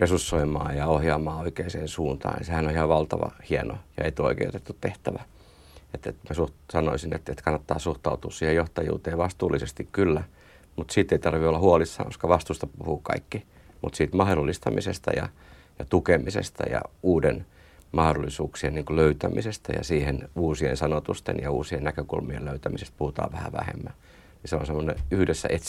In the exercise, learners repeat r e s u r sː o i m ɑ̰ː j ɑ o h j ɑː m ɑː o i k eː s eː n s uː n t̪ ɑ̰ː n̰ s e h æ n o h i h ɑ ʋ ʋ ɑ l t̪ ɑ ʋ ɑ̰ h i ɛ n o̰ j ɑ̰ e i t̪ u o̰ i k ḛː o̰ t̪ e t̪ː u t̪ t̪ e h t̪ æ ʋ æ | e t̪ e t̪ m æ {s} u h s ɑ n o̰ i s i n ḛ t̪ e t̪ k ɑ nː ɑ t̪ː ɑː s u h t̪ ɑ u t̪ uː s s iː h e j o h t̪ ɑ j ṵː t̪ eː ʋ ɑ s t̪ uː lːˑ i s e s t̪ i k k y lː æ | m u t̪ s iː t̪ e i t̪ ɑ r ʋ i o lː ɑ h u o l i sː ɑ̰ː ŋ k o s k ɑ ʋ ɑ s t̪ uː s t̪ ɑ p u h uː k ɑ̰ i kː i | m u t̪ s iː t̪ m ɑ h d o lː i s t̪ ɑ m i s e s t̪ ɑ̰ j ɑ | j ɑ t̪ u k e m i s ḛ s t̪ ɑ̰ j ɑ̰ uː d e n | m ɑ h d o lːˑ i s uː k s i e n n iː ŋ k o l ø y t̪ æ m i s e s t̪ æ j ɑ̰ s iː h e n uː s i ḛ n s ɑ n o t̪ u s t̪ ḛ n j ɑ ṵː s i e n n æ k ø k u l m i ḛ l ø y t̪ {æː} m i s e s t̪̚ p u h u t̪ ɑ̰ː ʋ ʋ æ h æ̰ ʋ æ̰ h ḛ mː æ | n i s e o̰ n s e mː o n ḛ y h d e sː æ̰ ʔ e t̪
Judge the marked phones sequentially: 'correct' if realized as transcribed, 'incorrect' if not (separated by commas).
correct, incorrect